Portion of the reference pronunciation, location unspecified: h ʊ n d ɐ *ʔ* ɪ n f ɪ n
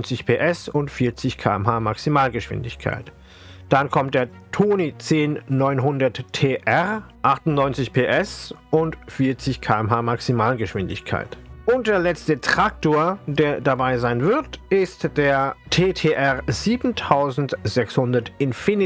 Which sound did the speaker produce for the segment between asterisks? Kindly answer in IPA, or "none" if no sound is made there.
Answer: t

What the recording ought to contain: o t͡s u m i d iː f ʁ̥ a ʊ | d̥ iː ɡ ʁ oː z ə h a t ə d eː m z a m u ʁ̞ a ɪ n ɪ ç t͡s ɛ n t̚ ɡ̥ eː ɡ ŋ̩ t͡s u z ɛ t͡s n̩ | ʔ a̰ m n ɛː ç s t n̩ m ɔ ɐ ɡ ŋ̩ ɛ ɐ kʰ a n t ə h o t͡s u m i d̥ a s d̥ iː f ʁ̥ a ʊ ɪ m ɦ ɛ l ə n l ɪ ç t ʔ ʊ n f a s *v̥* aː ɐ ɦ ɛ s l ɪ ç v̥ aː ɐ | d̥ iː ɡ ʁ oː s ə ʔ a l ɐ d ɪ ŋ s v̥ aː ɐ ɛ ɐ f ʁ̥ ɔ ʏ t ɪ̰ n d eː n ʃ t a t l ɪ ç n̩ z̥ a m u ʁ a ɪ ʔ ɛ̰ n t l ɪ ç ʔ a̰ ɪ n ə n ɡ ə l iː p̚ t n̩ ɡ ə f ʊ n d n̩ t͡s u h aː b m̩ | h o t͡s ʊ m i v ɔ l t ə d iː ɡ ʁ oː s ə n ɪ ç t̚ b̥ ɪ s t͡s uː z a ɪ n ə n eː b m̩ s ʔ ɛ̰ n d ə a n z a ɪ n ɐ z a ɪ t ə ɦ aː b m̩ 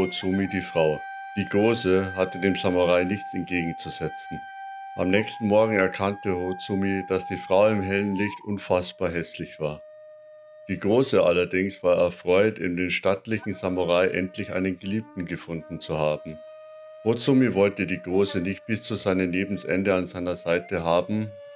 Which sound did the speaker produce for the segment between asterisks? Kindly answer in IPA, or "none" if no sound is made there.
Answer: b̥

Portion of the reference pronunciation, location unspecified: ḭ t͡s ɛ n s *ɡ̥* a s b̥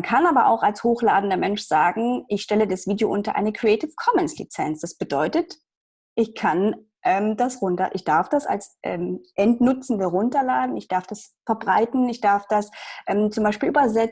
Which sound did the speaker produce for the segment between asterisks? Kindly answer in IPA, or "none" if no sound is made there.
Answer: d̥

